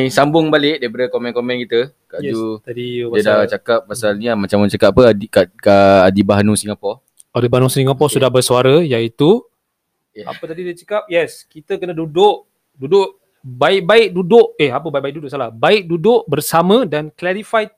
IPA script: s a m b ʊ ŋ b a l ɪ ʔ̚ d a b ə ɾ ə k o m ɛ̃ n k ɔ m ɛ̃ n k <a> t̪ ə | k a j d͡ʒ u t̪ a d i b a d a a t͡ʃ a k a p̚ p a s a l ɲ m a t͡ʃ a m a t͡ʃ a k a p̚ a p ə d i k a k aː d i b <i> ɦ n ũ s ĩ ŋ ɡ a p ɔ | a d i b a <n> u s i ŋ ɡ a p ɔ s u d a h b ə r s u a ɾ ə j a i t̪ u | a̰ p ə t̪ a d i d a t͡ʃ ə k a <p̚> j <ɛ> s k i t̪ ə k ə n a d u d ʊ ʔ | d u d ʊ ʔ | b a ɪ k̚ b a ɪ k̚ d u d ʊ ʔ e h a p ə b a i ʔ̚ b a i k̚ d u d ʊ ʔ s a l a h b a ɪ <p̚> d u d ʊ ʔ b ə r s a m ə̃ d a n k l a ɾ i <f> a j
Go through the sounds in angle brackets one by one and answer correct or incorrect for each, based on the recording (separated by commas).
incorrect, incorrect, correct, correct, correct, incorrect, correct